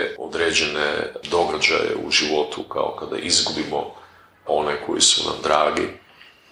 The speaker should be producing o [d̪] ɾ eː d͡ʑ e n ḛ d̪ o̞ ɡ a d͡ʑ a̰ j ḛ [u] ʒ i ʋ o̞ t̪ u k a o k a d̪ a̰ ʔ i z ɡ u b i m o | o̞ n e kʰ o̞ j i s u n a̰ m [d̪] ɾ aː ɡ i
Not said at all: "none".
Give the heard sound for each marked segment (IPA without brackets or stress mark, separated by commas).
d̪, u, d̪